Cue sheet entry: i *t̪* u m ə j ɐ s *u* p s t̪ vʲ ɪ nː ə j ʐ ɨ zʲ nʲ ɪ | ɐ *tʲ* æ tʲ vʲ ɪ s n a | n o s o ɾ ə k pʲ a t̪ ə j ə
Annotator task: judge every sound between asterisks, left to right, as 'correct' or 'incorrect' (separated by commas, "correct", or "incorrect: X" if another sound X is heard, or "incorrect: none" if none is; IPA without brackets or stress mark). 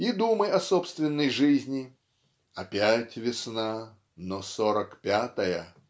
incorrect: d̪, incorrect: o, incorrect: pʲ